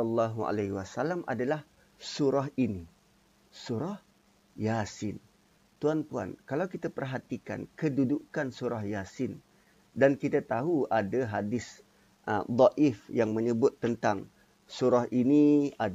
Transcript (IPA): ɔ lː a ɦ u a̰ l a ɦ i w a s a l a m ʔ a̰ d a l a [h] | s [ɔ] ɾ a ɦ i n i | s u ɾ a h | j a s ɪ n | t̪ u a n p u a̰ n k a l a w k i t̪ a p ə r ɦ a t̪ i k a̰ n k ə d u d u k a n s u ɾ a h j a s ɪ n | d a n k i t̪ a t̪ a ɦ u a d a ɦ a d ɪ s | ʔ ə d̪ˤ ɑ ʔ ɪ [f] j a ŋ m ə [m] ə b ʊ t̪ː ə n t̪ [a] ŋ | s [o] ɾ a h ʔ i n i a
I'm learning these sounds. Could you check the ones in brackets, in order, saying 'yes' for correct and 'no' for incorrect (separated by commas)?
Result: yes, no, yes, no, yes, no